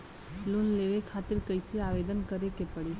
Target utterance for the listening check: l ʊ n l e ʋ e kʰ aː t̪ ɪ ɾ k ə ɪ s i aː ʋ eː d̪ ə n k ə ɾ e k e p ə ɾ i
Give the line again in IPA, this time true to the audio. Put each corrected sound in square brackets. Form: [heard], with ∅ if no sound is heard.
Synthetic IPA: l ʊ n l e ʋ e kʰ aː t̪ ɪ ɾ k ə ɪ s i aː ʋ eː d̪ ə n k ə ɾ e k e p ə [ɽ] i